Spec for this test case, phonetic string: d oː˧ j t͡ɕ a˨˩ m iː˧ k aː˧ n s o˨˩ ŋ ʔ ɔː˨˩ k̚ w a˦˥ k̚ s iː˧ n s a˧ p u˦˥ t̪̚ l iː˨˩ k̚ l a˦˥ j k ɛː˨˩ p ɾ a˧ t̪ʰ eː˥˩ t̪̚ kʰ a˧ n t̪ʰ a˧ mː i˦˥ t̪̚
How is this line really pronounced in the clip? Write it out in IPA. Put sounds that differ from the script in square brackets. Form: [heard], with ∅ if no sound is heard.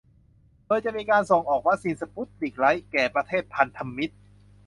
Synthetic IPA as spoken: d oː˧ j t͡ɕ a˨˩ m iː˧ k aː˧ n s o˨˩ ŋ ʔ ɔː˨˩ k̚ w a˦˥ k̚ s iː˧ n s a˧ p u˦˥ t̪̚ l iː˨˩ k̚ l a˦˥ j k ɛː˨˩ p ɾ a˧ t̪ʰ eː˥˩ t̪̚ [pʰ] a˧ n t̪ʰ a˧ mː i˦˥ t̪̚